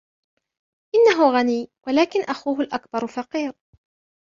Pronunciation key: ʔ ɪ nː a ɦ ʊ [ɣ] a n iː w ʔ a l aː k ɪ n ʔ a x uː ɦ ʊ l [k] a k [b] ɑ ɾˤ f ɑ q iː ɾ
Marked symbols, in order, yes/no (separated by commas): yes, no, yes